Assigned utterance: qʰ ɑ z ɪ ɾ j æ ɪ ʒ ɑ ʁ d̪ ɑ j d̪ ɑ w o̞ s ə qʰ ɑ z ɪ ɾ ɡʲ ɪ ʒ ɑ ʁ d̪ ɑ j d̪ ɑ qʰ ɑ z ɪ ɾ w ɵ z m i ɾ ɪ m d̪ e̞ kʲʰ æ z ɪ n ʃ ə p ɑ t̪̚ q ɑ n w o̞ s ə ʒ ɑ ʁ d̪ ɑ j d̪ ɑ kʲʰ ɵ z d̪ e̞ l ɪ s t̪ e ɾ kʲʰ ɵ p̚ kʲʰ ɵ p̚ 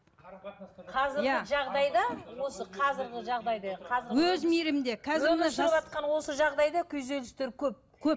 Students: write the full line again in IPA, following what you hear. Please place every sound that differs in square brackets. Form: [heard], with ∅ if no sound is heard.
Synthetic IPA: qʰ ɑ z ɪ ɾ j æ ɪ ʒ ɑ ʁ d̪ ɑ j d̪ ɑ w o̞ s ə qʰ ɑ z ɪ ɾ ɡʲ ɪ ʒ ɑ ʁ d̪ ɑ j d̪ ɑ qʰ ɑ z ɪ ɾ w ɵ z m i ɾ ɪ m d̪ e̞ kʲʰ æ z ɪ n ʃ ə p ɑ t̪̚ q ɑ n w o̞ s ə ʒ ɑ ʁ d̪ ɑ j d̪ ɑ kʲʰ ɵ z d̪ e̞ l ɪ s t̪ e ɾ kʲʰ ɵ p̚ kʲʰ ɵ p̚